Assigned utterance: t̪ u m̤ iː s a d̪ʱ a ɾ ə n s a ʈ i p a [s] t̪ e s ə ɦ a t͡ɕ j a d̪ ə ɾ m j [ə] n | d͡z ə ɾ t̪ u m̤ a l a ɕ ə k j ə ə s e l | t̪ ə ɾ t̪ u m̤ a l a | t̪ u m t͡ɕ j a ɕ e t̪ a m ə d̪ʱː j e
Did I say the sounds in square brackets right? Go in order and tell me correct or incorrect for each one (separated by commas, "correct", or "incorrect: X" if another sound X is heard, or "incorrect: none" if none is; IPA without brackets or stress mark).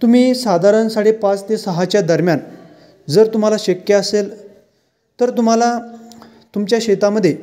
incorrect: t͡s, incorrect: a